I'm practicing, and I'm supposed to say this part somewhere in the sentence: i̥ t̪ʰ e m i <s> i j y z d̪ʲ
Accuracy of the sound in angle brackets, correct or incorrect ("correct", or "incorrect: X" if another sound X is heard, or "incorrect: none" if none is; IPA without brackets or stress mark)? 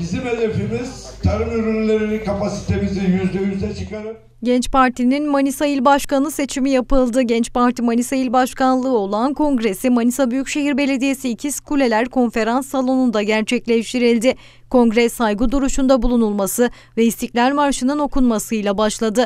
incorrect: z